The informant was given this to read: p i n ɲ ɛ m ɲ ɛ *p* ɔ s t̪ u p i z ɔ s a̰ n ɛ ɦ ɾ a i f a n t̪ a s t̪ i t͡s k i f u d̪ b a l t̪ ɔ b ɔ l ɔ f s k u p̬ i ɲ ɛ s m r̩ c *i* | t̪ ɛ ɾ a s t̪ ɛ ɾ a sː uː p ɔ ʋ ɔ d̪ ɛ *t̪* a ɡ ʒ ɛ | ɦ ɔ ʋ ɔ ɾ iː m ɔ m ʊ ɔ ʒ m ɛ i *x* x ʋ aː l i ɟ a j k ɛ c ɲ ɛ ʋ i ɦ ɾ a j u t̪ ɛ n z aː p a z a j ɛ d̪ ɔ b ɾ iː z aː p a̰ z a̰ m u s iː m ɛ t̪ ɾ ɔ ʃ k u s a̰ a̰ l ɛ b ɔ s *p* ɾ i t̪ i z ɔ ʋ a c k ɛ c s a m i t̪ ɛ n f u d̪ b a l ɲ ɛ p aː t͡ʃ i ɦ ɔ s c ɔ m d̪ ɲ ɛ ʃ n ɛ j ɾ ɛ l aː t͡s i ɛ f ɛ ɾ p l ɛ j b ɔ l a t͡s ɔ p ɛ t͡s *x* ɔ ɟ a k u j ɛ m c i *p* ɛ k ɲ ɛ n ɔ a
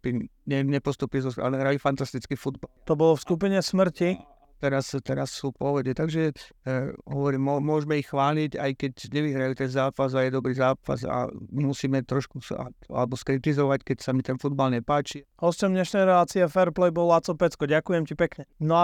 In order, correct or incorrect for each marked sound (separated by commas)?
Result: correct, correct, correct, correct, incorrect, incorrect, correct